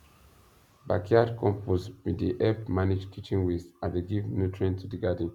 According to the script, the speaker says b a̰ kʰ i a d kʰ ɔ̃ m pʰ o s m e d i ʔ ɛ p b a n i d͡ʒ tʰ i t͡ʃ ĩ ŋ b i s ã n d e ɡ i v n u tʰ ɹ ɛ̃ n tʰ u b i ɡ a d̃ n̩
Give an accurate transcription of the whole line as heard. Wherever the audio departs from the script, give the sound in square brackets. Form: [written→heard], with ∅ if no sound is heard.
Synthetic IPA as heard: b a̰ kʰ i a d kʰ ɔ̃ m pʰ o s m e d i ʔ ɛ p [b→m] a n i d͡ʒ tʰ i t͡ʃ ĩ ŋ [b→w] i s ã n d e ɡ i v n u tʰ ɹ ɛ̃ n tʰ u [b→d] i ɡ a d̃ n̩